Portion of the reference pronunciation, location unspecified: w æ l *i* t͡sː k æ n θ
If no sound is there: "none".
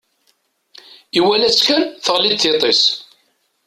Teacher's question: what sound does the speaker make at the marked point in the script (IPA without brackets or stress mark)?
æ